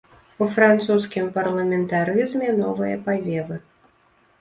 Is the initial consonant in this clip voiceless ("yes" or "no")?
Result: yes